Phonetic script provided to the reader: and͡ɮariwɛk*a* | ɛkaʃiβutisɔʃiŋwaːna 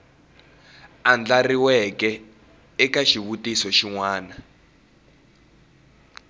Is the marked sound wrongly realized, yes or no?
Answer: yes